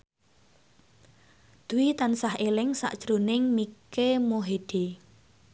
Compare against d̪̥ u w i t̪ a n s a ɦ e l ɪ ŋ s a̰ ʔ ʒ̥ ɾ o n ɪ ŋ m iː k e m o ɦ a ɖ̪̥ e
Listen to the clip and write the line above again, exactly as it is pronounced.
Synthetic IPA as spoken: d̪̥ u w i t̪ a n s a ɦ e l ɪ ŋ s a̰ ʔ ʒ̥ ɾ o n ɪ ŋ m i k e m o ɦ e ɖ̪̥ e